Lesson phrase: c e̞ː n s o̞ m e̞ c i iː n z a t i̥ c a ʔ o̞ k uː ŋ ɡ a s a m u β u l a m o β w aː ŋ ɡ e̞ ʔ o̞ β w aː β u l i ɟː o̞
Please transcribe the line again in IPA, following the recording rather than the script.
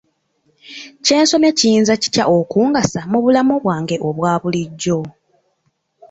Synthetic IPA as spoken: c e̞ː n s o̞ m e̞ c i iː n z a c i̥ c a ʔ o̞ k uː ŋ ɡ a s a m u β u l a m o β w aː ŋ ɡ e̞ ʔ o̞ β w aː β u l i ɟː o̞